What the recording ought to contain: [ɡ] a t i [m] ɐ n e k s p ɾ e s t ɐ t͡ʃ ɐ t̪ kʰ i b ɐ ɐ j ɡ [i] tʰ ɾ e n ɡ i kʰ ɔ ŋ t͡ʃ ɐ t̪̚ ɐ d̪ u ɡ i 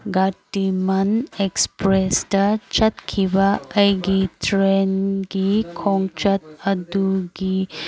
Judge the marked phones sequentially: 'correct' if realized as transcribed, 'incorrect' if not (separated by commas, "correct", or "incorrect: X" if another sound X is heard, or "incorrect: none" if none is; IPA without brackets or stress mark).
correct, correct, correct